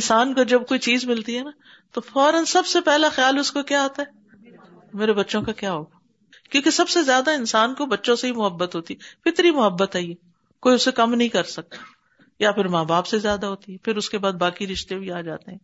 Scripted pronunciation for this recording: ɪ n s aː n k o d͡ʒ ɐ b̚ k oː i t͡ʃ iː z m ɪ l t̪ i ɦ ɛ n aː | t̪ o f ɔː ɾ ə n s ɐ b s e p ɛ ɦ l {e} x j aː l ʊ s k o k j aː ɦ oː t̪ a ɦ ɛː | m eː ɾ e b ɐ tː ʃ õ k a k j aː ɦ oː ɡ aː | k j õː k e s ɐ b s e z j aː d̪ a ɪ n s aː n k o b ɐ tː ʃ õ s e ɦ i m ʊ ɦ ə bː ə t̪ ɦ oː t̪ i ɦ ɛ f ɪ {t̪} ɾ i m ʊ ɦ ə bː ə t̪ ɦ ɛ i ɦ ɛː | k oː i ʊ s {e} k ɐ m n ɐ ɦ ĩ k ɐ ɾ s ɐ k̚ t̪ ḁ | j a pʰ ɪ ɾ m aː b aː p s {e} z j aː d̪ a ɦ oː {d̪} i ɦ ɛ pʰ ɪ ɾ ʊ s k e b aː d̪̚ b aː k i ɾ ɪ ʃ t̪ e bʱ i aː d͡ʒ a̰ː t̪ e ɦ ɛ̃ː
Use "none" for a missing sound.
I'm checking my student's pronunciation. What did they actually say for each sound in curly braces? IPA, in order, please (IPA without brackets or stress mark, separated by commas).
a, t̪, e, e, t̪